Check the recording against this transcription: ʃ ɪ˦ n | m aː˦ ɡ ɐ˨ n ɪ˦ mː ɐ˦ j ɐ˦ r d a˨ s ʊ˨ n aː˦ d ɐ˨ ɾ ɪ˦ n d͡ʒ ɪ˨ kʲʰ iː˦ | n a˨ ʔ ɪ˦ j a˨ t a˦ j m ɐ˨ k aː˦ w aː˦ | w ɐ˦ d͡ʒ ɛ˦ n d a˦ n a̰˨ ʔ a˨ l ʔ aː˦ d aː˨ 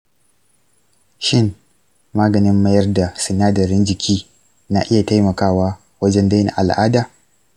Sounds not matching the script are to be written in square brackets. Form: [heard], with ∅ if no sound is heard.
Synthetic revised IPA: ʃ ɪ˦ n | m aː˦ ɡ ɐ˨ n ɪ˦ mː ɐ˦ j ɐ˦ r d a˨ s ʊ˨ n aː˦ d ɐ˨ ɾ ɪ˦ n d͡ʒ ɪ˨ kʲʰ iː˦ | n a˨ ʔ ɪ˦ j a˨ t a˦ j m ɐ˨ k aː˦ w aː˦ | w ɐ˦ d͡ʒ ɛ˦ n d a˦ n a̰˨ ʔ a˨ l ʔ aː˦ d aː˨

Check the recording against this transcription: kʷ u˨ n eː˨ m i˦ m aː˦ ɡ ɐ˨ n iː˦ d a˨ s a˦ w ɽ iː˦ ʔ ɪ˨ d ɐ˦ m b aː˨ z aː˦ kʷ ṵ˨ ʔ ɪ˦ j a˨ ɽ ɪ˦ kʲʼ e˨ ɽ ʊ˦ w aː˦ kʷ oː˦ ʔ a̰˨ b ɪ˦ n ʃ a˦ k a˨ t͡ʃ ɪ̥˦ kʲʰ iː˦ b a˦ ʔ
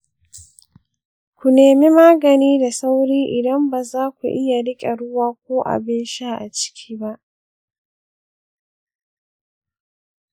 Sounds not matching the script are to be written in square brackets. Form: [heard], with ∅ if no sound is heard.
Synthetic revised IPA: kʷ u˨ n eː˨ m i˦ m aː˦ ɡ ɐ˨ n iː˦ d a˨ s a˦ w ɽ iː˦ ʔ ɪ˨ d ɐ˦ m b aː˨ z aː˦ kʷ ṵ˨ ʔ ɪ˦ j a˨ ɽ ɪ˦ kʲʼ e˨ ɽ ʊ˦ w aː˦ kʷ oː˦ ʔ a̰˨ b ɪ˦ n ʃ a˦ [ʔ] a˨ t͡ʃ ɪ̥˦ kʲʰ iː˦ b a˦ ʔ

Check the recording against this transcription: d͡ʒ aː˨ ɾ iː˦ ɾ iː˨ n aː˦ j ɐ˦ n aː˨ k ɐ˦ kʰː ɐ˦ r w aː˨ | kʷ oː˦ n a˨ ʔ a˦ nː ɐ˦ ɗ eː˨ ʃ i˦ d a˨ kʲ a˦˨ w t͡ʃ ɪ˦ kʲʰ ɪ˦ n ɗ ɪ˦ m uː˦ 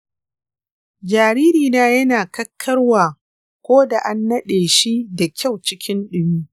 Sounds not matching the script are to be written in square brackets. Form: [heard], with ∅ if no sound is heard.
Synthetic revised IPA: d͡ʒ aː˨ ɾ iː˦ ɾ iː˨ n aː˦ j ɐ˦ n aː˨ k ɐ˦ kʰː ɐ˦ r w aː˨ | kʷ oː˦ [d] a˨ ʔ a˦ nː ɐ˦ ɗ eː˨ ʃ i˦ d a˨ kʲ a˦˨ w t͡ʃ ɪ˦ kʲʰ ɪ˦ n ɗ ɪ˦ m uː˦

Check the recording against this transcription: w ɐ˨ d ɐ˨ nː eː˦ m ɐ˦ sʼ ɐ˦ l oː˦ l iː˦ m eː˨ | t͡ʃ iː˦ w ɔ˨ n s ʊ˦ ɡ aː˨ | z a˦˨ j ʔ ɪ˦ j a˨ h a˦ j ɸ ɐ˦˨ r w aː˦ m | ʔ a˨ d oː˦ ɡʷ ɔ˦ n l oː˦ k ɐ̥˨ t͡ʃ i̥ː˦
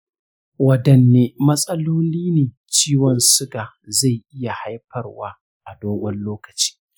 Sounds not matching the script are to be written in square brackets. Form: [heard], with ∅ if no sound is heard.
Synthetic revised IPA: w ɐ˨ d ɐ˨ nː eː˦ m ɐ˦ sʼ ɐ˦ l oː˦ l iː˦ [n] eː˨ | t͡ʃ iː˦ w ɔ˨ n s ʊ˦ ɡ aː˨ | z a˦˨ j ʔ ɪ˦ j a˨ h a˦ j ɸ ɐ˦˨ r w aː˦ [∅] | ʔ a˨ d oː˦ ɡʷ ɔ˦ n l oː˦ k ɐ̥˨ t͡ʃ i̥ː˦

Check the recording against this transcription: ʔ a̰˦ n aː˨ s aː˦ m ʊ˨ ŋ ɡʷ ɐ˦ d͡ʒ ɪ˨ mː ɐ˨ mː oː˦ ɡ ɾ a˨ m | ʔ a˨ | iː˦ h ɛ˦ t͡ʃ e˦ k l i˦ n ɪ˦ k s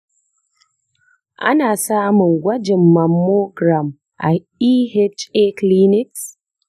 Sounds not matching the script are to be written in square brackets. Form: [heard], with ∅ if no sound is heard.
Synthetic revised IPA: ʔ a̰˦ n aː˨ s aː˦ m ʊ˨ ŋ ɡʷ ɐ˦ d͡ʒ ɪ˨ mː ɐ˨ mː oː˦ ɡ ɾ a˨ m | ʔ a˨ | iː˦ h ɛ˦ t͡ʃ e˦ k l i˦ n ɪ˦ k s

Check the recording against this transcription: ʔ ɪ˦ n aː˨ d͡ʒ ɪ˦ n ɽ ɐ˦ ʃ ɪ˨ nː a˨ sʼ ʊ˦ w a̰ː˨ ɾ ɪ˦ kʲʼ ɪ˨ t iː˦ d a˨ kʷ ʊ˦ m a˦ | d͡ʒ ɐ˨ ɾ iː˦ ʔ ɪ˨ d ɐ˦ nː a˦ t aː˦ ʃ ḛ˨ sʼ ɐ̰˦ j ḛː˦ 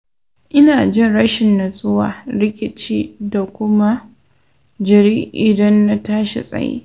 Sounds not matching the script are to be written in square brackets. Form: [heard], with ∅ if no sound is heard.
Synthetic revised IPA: ʔ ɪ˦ n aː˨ d͡ʒ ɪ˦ n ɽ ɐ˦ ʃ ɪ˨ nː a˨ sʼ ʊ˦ w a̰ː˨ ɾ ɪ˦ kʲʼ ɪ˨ [t͡ʃ] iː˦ d a˨ kʷ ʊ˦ m a˦ | d͡ʒ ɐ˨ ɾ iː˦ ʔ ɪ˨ d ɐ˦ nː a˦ t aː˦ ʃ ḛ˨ sʼ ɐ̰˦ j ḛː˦

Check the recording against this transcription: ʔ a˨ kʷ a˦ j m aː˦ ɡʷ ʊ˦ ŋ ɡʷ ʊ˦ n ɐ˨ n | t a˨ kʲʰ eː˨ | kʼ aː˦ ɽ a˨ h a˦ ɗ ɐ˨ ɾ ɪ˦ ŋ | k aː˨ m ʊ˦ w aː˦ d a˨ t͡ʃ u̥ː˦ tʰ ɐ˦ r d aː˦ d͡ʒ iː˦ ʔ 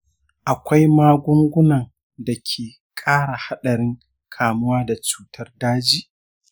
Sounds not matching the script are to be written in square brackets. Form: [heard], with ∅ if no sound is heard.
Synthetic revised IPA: ʔ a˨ kʷ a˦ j m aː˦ ɡʷ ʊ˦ ŋ ɡʷ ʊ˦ n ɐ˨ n | [d] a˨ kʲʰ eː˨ | kʼ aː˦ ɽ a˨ h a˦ ɗ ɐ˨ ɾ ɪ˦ ŋ | [kʰ] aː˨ m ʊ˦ w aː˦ d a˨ t͡ʃ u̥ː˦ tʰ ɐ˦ r d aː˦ d͡ʒ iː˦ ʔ

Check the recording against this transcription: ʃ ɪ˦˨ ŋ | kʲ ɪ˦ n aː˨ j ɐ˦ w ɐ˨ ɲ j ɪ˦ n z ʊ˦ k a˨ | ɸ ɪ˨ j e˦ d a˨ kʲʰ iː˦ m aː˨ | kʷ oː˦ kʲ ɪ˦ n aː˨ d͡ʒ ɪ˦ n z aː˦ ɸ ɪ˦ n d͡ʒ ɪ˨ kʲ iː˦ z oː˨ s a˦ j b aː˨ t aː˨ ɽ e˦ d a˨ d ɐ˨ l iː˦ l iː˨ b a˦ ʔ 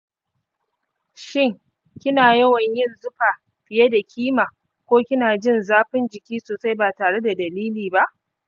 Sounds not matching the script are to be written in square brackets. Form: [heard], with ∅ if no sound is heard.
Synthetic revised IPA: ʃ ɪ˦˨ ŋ | kʲ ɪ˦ n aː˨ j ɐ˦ w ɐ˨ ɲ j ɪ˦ n z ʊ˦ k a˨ | ɸ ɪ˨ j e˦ d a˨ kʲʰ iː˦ m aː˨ | kʷ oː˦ kʲ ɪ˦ n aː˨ d͡ʒ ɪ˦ n z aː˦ ɸ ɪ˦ n d͡ʒ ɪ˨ kʲ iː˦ [s] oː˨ s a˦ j b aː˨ t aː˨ ɽ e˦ d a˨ d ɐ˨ l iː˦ l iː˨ b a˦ ʔ

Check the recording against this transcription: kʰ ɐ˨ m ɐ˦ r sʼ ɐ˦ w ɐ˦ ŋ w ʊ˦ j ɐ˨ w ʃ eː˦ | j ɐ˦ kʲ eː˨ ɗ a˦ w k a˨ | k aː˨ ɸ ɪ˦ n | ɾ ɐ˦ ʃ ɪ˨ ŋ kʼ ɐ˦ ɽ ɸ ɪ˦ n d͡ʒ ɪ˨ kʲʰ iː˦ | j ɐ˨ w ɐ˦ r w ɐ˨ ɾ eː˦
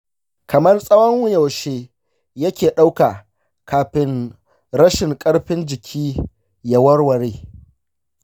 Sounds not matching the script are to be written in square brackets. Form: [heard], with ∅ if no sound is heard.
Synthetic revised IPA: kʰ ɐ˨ m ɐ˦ r sʼ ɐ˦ w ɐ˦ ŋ w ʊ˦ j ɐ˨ w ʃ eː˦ | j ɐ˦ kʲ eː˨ ɗ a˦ w k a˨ | k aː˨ ɸ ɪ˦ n | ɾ ɐ˦ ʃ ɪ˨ ŋ kʼ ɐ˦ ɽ ɸ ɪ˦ n d͡ʒ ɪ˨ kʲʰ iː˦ | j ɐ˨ w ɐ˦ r w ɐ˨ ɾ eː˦

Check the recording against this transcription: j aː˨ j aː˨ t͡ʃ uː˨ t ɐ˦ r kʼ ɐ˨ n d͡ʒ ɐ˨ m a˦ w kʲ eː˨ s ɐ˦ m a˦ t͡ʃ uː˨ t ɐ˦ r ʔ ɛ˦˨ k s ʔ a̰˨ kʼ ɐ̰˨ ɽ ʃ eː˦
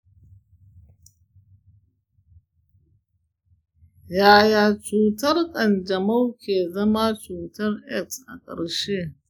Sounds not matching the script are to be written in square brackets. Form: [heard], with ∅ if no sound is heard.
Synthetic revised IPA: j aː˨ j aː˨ t͡ʃ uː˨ t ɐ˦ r kʼ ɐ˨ n d͡ʒ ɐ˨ m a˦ w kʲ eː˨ [z] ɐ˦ m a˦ t͡ʃ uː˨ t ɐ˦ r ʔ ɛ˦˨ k s ʔ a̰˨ kʼ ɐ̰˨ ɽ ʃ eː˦

